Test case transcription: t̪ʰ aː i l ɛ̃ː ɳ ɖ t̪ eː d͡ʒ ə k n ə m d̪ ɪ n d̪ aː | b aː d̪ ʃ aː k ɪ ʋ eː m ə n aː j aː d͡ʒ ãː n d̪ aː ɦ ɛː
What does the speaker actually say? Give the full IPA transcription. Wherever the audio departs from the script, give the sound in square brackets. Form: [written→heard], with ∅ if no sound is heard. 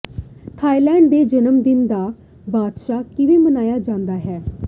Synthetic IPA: t̪ʰ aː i l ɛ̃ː ɳ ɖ [t̪→d̪] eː d͡ʒ ə [k→∅] n ə m d̪ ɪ n d̪ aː | b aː d̪ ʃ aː k ɪ ʋ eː m ə n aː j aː d͡ʒ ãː n d̪ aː ɦ ɛː